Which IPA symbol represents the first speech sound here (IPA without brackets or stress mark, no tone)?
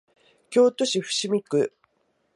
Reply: kʲ